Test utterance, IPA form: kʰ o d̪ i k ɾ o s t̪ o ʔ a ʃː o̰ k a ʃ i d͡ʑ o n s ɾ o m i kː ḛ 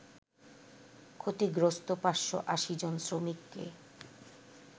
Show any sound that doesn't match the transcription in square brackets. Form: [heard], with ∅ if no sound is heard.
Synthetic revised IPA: kʰ o [t̪] i [ɡ] ɾ o s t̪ o [p] a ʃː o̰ [ʔ] a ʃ i d͡ʑ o n s ɾ o m i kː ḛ

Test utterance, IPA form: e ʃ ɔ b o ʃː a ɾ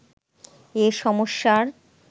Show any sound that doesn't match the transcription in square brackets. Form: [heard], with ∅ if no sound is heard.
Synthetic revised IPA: e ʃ ɔ [m] o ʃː a ɾ

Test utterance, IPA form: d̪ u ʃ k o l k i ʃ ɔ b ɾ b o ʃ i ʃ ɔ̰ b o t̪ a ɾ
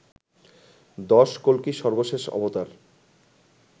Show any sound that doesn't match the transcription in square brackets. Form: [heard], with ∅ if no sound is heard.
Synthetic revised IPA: d̪ [ɔ] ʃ k o l k i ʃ ɔ [∅] ɾ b o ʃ [e] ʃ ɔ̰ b o t̪ a ɾ

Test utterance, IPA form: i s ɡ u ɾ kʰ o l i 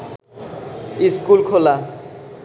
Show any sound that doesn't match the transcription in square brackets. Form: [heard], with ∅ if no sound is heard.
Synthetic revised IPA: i s [k] u [l] kʰ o l [a]

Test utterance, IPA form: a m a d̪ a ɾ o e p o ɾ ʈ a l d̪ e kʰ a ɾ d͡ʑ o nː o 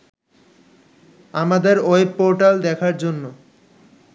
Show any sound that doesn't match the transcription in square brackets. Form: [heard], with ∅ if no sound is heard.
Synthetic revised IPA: a m a d̪ [e] ɾ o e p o ɾ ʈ a l d̪ [ɛ] kʰ a ɾ d͡ʑ o nː o

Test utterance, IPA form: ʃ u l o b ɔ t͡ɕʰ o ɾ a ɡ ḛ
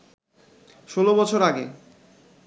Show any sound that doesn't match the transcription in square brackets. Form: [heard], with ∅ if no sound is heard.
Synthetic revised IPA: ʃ [o] l o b ɔ t͡ɕʰ o ɾ a ɡ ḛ

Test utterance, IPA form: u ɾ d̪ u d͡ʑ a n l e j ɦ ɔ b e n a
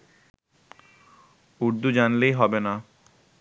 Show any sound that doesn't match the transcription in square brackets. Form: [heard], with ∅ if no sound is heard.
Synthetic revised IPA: u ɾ d̪ u d͡ʑ a n l e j ɦ ɔ b e n a

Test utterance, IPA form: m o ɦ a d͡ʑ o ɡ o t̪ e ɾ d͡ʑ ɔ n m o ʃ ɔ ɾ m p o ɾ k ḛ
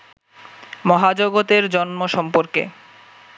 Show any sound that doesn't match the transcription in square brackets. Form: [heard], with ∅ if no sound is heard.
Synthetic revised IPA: m [ɔ] ɦ a d͡ʑ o ɡ o t̪ e ɾ d͡ʑ ɔ n m o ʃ ɔ [∅] m p o ɾ k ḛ

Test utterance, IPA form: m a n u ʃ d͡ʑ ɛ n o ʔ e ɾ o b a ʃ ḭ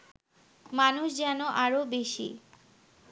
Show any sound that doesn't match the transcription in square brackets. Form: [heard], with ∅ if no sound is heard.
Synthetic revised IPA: m a n u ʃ d͡ʑ ɛ n o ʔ [a] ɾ o b [e] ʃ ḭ

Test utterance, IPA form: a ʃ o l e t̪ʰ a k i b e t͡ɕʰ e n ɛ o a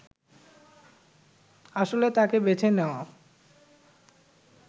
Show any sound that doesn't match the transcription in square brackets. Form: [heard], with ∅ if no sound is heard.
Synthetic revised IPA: a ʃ o l e [t̪] a k [e] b e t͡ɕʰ e n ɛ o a

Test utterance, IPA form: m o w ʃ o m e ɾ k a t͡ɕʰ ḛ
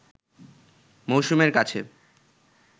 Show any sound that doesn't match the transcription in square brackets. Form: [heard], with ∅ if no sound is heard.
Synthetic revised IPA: m o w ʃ [u] m e ɾ k a t͡ɕʰ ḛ

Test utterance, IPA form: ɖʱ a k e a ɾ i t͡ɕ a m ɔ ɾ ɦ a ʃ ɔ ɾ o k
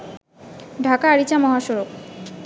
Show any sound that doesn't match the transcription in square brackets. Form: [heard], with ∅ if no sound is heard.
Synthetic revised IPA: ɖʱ a k [a] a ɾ i t͡ɕ a m ɔ [∅] ɦ a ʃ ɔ ɾ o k

